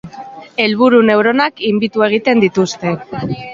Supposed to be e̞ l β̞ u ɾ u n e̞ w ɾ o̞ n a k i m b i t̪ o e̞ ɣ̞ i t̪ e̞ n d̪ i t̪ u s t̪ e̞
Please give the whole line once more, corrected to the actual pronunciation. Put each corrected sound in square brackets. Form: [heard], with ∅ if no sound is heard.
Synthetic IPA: e̞ l β̞ u ɾ u n e̞ w ɾ o̞ n a k i m b i t̪ [u] e̞ ɣ̞ i t̪ e̞ n d̪ i t̪ u s t̪ e̞